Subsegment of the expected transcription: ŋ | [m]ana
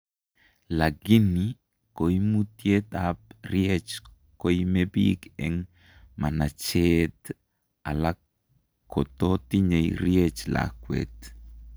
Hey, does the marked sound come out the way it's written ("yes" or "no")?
yes